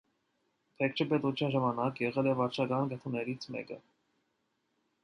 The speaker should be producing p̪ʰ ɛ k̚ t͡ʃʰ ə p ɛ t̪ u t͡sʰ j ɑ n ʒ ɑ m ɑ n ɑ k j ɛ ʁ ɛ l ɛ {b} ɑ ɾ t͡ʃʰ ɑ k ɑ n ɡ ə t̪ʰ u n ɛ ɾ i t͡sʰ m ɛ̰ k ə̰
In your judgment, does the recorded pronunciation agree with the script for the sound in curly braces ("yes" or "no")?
no